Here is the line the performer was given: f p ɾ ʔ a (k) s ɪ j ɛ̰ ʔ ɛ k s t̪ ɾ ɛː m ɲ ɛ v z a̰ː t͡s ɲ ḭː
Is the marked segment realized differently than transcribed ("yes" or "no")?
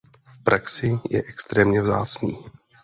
no